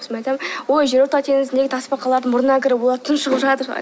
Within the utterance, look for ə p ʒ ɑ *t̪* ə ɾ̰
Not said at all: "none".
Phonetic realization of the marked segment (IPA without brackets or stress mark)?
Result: t̪